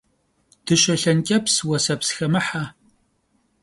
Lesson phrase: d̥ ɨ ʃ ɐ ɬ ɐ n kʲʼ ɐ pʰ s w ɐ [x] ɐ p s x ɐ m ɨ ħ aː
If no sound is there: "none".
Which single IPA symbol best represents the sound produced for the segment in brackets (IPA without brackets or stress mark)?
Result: s